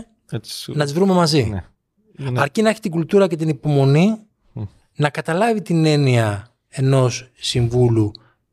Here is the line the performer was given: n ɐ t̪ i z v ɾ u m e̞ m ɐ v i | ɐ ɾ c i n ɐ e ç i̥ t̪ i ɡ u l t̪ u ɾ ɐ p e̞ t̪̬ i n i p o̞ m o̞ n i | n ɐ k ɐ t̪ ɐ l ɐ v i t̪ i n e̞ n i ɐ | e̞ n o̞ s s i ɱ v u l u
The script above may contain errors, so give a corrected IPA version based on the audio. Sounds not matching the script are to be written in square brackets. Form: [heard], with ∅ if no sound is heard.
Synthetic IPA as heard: n ɐ t̪ i z v ɾ u m e̞ m ɐ [z] i | ɐ ɾ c i n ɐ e ç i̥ t̪ i ɡ u l t̪ u ɾ ɐ [c] e̞ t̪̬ i n i p o̞ m o̞ n i | n ɐ k ɐ t̪ ɐ l ɐ v i t̪ i n e̞ n i ɐ | e̞ n o̞ s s i ɱ v u l u